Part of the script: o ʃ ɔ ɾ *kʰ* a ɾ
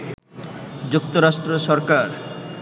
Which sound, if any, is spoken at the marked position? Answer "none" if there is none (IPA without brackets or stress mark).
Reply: k